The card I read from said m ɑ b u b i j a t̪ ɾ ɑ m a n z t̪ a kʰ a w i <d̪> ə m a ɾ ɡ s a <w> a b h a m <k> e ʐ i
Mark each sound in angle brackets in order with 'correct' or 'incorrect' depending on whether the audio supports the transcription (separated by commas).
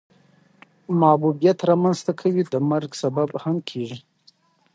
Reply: correct, incorrect, incorrect